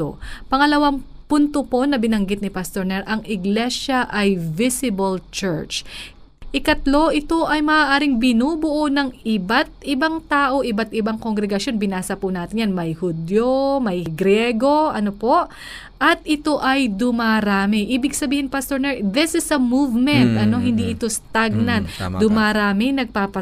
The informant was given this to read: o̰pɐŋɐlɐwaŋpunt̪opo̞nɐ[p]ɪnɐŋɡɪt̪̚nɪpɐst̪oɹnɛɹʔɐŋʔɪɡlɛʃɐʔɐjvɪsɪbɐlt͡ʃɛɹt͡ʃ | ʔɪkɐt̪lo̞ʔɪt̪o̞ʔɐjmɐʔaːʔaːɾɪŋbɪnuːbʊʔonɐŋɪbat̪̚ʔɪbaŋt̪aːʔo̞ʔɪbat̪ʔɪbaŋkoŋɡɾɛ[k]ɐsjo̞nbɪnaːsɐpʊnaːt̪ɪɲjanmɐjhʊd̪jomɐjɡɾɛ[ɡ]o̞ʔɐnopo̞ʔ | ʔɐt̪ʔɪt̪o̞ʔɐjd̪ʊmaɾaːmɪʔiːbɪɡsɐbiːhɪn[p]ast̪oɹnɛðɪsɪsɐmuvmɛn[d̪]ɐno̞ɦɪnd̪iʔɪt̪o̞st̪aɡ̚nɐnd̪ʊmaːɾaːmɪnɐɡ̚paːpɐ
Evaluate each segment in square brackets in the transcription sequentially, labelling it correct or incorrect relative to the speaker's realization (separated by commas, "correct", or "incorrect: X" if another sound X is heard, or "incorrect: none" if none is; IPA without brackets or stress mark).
incorrect: b, incorrect: ɡ, correct, correct, incorrect: t̪